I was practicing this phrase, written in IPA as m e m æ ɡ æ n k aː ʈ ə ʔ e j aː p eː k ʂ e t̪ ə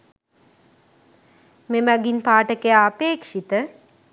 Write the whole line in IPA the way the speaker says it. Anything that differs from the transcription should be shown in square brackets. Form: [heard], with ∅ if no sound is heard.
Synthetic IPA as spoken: m e m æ ɡ [i] n [p] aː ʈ ə [k] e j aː p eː k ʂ [i] t̪ ə